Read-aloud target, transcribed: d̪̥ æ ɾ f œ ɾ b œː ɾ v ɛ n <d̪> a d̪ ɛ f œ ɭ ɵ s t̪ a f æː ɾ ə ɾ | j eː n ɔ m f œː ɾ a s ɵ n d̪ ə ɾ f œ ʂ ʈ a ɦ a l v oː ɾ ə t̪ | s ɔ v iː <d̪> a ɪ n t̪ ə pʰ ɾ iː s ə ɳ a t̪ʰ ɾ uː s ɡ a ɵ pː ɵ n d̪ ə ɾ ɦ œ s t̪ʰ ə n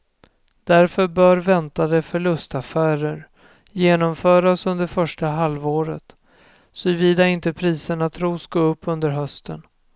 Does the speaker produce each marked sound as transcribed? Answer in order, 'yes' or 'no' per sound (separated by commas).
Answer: no, yes